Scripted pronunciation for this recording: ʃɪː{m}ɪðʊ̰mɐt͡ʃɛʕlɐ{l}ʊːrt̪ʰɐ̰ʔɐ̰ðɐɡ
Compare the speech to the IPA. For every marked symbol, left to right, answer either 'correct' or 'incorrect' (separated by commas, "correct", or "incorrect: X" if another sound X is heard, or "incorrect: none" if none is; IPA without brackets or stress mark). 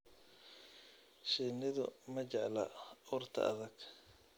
incorrect: n, incorrect: none